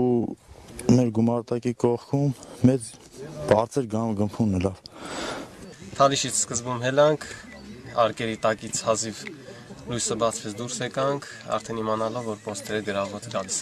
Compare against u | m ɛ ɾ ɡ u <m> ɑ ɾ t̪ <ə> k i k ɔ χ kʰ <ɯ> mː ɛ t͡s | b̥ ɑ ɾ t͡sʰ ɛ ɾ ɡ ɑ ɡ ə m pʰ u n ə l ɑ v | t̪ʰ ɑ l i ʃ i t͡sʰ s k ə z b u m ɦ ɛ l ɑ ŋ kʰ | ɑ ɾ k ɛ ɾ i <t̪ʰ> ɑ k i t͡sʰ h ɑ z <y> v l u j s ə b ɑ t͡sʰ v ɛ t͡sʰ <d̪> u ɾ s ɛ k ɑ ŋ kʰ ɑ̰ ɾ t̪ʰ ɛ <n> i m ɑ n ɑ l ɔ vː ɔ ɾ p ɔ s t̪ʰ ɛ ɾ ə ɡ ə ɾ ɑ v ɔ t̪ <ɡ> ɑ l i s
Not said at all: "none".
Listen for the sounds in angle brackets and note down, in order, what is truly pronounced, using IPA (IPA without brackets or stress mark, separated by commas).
m, ɑ, u, t̪, i, d̪, n, ɡ